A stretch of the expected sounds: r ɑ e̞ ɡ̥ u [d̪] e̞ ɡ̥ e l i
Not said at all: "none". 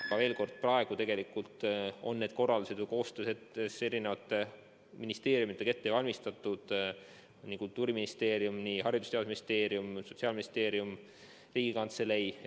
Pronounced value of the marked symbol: t̪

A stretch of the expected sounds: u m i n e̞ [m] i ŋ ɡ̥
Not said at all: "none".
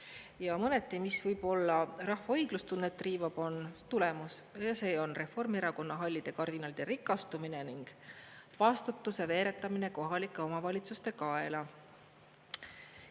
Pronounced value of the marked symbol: n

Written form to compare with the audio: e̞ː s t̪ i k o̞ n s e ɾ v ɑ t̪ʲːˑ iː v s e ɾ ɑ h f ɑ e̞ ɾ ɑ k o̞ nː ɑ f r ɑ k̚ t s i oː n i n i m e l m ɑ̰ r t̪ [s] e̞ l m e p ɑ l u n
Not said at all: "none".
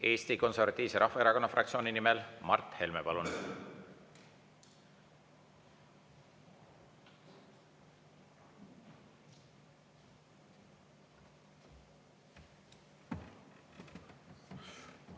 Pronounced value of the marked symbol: h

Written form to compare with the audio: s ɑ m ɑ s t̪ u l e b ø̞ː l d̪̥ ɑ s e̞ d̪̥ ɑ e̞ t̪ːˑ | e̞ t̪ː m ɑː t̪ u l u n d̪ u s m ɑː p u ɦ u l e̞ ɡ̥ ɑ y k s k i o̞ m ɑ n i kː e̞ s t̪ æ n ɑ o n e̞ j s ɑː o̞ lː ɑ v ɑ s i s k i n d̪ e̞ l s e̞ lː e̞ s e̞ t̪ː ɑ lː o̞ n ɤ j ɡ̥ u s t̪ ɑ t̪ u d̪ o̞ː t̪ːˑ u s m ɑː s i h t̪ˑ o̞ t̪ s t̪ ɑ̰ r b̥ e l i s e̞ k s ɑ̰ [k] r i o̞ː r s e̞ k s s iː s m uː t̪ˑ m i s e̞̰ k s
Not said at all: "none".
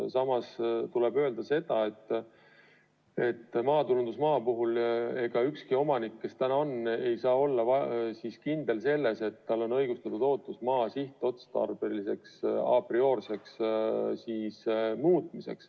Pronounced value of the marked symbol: p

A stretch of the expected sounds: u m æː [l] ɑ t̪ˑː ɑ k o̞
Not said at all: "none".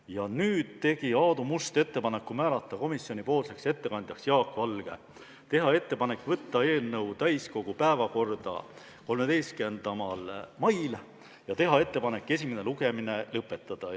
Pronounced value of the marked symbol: l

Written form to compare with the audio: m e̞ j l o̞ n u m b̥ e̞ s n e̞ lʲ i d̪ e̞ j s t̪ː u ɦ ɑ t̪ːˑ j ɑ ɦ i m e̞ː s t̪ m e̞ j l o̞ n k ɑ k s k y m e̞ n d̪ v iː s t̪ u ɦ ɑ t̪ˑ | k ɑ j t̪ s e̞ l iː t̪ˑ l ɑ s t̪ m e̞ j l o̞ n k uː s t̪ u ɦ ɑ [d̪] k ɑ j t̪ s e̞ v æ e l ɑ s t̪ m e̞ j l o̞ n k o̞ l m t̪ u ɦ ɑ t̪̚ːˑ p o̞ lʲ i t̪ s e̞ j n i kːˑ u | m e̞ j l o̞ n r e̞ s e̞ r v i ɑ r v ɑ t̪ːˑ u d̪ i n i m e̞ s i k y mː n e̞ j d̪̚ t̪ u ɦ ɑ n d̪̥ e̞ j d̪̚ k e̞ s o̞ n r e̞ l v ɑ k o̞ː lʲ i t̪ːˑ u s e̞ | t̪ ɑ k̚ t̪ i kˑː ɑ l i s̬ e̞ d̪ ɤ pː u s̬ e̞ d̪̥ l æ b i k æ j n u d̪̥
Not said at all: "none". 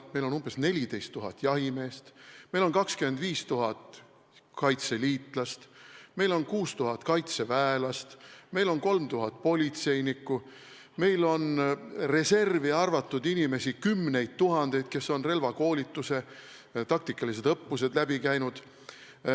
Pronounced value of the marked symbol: t̪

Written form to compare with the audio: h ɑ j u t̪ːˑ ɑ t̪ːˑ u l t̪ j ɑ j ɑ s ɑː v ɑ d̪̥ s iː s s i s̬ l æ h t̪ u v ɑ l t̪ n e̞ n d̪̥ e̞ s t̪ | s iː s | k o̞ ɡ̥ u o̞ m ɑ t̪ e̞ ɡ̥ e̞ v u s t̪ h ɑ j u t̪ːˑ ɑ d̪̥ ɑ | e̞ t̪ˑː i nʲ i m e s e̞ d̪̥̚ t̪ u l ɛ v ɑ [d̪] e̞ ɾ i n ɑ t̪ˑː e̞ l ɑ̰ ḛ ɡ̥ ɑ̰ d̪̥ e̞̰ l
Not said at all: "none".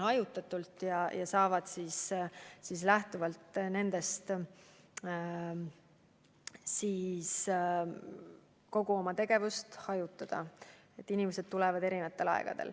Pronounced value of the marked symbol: d̪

